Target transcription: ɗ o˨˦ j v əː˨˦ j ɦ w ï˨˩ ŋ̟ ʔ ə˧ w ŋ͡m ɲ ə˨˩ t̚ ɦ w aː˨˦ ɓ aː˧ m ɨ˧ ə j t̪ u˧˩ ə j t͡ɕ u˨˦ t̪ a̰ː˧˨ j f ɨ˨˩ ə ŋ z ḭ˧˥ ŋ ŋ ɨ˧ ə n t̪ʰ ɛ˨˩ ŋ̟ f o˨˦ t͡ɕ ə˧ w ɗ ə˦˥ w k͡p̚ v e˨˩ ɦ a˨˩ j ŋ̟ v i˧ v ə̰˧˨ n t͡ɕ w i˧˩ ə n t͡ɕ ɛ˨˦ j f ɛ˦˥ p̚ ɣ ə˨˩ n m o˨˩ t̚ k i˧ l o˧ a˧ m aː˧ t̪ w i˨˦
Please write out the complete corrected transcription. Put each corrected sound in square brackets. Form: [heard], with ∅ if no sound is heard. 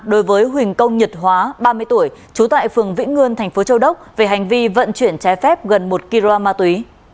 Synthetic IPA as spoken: ɗ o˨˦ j v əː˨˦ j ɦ w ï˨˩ ŋ̟ [k] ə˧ w ŋ͡m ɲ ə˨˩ t̚ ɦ w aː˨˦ ɓ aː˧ m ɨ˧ ə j t̪ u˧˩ ə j t͡ɕ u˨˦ t̪ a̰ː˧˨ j f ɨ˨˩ ə ŋ [v] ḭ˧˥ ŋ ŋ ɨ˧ ə n t̪ʰ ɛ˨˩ ŋ̟ f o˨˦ t͡ɕ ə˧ w ɗ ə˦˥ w k͡p̚ v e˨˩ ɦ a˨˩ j ŋ̟ v i˧ v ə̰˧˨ n t͡ɕ w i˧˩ ə n t͡ɕ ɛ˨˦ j f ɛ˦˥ p̚ ɣ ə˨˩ n m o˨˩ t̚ k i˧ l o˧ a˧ m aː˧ t̪ w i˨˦